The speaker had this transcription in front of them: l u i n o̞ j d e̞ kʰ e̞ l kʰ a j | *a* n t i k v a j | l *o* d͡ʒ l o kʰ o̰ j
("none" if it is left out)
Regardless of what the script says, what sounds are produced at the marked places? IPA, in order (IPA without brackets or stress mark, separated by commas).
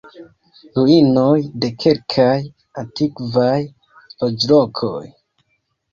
a, o